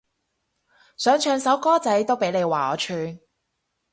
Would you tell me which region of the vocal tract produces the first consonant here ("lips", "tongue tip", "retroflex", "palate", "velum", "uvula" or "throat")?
tongue tip